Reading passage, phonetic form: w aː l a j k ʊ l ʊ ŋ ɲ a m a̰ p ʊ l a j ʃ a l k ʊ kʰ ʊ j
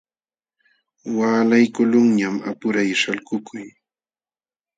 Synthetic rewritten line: w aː l a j k ʊ l ʊ ŋ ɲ a m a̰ p ʊ ɾ a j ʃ a l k ʊ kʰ ʊ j

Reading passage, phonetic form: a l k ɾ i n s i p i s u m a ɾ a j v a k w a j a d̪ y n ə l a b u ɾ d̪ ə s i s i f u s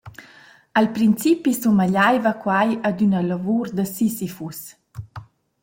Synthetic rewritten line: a l p ɾ i n t͡s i p i s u m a ʎ a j v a k w a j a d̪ y n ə l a v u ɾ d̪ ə s i s i f u s

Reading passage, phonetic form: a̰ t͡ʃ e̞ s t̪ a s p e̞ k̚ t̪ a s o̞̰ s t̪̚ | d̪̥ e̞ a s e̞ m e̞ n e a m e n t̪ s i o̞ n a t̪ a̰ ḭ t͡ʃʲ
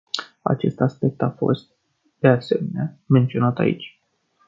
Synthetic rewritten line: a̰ t͡ʃ e̞ s t̪ a s p e̞ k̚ t̪ a f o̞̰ s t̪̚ | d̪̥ e̞ a s e̞ m e̞ n e a m e n t̪ s i o̞ n a t̪ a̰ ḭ t͡ʃʲ

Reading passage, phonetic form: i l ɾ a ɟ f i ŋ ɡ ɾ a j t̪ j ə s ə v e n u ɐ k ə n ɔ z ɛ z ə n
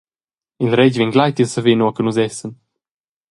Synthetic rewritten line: i l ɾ ɛ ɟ v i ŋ ɡ l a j t̪ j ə s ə v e n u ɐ k ə n u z ɛ s ə n

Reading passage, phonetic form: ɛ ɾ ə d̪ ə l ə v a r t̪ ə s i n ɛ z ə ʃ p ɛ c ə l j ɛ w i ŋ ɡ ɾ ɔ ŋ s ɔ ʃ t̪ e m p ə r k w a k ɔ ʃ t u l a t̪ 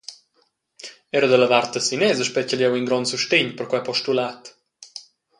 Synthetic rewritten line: ɛ ɾ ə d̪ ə l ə v a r t̪ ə s i n ɛ z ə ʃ p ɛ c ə l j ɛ w i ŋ ɡ ɾ ɔ n s u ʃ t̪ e ɲ p ə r k w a p ɔ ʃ t u l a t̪

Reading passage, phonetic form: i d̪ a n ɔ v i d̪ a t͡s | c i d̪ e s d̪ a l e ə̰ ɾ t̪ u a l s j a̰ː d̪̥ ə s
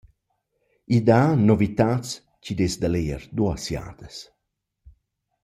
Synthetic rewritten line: i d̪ a n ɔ v i t̪ a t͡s | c i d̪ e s d̪ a l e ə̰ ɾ d̪ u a s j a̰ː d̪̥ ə s

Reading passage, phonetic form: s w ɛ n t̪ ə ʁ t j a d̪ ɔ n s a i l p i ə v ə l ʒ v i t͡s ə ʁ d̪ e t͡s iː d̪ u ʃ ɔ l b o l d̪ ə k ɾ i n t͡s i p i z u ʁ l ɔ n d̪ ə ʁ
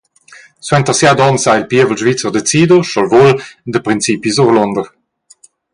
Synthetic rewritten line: s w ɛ n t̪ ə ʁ s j a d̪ ɔ n s a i l p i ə v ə l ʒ v i t͡s ə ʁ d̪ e t͡s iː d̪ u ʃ ɔ l v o l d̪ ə p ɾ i n t͡s i p i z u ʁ l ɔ n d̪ ə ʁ

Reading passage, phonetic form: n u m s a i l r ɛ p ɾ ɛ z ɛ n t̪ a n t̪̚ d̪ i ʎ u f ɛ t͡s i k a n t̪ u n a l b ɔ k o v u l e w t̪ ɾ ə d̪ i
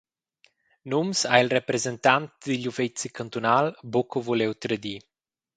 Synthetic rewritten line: n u m s a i l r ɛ p ɾ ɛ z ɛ n t̪ a n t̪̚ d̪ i ʎ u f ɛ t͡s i k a n t̪ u n a l b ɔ k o v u l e w t̪ ɾ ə d̪ i

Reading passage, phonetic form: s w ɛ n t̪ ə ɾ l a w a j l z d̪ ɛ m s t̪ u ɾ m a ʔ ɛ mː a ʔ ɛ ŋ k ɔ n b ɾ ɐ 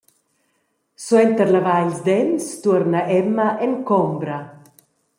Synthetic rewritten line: s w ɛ n t̪ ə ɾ l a v a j l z d̪ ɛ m s t̪ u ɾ n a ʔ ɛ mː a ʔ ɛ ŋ k ɔ m b ɾ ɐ

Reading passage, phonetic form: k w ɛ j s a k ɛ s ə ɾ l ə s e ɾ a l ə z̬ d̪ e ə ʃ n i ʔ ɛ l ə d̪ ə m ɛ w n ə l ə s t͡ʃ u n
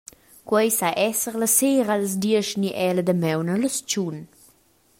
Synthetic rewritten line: k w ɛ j s a ʔ ɛ s ə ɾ l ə s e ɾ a l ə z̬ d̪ i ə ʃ n i ʔ ɛ l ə d̪ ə m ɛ w n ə l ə s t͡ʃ u n

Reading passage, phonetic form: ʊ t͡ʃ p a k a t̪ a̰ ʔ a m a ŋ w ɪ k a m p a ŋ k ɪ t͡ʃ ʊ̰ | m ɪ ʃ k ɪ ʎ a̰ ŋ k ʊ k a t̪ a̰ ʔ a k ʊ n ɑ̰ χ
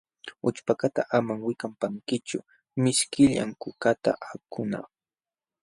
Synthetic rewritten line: ʊ t͡ʃ p a k a t̪ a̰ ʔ a m a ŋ w ɪ k a m p a ŋ k ɪ t͡ʃ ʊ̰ | m ɪ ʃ k ɪ ʎ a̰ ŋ k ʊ k a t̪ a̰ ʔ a k ʊ n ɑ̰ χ

